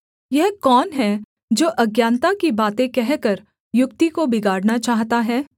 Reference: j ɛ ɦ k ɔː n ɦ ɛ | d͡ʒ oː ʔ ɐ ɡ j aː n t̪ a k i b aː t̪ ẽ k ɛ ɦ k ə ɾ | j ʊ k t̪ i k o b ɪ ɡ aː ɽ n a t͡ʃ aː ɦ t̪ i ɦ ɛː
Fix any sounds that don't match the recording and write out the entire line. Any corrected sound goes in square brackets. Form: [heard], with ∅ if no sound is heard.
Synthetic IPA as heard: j ɛ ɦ k ɔː n ɦ ɛ | d͡ʒ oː ʔ ɐ ɡ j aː n t̪ a k i b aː t̪ ẽ k ɛ ɦ k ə ɾ | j ʊ k t̪ i k o b ɪ ɡ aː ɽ n a t͡ʃ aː ɦ t̪ [a] ɦ ɛː